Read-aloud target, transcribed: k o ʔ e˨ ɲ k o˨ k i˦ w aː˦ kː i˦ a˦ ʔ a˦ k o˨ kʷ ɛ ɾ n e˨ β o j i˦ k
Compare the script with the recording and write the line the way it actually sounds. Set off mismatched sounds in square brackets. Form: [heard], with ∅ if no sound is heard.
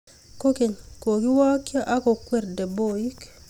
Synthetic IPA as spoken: k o [k] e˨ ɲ k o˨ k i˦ w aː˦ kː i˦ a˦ ʔ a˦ k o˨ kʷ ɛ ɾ [d] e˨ [b] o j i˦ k

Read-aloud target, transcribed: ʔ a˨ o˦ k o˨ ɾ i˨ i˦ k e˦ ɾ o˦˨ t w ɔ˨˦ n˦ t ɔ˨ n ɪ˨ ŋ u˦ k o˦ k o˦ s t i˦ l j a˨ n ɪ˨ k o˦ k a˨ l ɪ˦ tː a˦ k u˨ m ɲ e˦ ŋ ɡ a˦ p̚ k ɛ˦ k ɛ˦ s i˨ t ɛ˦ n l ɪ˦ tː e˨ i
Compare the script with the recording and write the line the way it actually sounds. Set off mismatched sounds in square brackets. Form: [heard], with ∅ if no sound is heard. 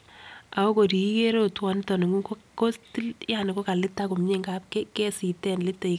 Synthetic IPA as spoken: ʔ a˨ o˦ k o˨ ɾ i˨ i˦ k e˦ ɾ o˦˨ t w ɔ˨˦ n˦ t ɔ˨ n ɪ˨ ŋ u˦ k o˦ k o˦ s t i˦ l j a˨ n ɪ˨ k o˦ k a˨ l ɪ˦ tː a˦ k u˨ m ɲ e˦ ŋ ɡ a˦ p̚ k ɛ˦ k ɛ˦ s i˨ t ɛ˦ n l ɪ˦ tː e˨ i

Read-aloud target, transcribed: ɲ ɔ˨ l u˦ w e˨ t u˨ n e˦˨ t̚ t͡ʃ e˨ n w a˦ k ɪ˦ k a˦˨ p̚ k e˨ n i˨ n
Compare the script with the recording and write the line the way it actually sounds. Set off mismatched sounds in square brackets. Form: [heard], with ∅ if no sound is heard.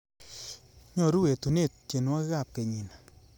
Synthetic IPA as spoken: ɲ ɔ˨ [ɾ] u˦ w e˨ t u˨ n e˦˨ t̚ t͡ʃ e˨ n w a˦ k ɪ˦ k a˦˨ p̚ k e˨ [ɲ] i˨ n

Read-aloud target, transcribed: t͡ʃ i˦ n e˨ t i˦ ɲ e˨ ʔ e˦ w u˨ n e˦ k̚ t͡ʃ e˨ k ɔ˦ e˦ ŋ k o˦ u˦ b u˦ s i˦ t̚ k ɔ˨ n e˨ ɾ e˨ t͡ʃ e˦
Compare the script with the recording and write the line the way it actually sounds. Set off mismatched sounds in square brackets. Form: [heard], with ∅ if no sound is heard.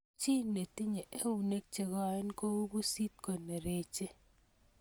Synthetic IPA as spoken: t͡ʃ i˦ n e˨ t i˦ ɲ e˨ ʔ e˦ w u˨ n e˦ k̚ t͡ʃ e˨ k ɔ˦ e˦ [n] k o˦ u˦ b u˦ s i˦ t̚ k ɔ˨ n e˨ ɾ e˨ t͡ʃ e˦

